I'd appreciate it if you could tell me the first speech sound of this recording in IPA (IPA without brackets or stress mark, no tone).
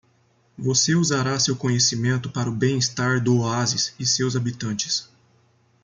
v